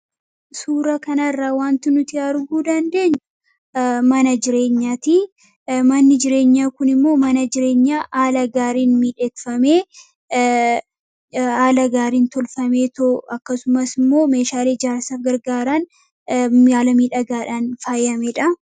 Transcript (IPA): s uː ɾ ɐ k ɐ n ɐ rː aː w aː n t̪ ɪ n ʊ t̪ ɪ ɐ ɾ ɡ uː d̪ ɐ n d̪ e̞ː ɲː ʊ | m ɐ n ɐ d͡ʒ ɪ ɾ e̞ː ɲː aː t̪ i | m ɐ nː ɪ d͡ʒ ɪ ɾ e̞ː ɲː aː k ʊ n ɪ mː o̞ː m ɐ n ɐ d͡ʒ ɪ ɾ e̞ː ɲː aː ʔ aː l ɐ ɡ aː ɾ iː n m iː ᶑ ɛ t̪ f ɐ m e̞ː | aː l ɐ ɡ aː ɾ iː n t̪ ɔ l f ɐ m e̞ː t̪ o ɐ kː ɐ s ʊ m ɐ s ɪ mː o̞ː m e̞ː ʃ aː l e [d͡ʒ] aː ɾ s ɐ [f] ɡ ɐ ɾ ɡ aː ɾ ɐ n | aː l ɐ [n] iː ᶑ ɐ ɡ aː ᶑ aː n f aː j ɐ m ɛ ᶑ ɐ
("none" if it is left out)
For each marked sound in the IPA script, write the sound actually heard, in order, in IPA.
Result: d͡ʒ, f, m

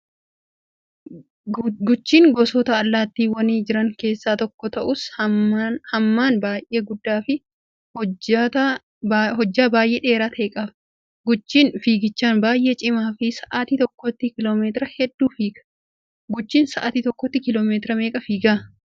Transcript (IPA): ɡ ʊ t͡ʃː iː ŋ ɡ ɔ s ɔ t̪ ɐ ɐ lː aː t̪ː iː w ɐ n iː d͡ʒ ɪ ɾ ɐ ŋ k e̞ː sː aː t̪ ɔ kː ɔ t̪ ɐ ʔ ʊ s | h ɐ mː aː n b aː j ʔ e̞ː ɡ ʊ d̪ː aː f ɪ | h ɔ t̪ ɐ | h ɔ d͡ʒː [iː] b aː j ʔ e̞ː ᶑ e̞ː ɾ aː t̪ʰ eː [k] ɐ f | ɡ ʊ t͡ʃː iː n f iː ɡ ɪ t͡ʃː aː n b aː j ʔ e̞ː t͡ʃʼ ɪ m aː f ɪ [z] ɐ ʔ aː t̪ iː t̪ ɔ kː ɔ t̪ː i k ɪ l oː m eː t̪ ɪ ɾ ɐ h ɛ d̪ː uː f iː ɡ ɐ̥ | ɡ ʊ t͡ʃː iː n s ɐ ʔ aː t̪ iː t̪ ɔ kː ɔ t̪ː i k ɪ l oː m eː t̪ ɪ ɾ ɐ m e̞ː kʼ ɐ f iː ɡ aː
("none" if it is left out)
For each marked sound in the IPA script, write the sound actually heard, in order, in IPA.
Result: aː, kʼ, s

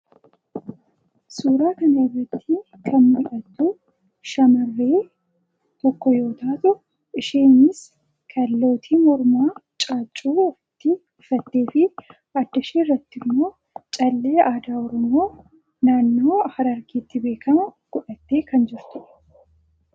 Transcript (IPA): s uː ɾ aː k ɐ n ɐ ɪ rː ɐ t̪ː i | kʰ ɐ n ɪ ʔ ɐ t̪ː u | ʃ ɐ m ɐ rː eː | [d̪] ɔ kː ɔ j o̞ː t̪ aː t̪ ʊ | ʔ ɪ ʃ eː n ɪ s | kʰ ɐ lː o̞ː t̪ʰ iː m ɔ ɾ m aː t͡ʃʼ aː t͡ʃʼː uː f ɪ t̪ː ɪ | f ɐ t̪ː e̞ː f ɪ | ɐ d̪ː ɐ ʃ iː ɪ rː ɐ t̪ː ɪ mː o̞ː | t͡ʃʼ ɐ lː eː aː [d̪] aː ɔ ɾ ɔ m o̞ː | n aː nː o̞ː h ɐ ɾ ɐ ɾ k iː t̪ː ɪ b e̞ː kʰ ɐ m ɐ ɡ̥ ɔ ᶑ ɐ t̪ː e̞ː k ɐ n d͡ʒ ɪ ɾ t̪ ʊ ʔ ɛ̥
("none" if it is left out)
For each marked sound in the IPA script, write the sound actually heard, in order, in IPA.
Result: t̪, d̪

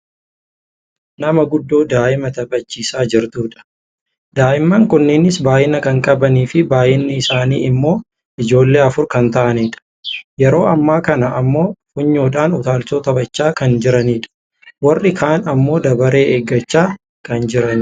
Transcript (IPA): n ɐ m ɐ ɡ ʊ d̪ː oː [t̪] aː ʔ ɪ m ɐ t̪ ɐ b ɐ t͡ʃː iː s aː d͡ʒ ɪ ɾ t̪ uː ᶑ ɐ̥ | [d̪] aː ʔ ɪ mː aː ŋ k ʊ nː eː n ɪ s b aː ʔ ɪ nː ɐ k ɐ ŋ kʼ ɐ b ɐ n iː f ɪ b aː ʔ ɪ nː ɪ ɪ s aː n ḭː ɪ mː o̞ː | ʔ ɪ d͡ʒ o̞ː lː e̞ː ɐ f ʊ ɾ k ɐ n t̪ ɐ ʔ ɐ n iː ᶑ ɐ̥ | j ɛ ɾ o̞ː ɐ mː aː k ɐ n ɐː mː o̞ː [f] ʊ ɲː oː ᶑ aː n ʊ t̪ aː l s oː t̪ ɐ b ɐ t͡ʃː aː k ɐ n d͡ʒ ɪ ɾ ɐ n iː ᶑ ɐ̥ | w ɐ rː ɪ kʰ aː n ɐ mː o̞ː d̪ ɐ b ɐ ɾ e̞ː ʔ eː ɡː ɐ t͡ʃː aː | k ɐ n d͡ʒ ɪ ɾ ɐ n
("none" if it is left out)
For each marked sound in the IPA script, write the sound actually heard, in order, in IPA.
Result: d̪, d̪, f

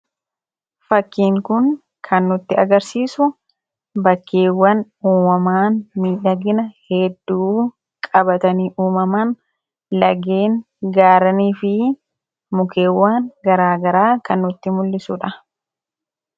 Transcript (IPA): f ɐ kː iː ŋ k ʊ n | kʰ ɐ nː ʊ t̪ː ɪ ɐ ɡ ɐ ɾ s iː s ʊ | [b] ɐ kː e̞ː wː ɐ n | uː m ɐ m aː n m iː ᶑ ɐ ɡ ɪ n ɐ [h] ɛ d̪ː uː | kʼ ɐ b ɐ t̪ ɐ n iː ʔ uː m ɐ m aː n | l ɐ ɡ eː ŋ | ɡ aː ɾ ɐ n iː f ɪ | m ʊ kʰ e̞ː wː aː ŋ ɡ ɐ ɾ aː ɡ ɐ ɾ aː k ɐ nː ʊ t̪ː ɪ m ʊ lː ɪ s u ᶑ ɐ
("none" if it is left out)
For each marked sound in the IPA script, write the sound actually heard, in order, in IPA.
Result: b, h

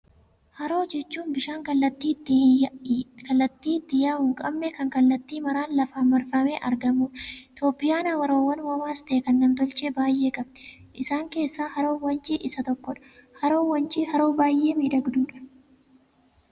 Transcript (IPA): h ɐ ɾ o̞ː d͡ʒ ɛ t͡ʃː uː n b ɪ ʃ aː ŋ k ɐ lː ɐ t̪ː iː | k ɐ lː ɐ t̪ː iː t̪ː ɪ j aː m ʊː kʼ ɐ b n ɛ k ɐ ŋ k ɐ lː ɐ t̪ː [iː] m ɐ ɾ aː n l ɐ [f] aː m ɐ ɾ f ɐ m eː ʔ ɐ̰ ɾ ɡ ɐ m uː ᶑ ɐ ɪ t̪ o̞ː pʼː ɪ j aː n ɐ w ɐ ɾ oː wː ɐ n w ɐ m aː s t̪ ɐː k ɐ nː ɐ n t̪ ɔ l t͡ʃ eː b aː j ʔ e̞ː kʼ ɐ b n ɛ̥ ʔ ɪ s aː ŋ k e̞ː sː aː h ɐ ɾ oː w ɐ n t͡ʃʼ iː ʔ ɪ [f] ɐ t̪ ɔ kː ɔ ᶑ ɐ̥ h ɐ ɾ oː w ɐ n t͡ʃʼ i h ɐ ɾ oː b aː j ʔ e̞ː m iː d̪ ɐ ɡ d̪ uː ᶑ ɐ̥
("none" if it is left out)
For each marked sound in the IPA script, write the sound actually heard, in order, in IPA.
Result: iː, f, s

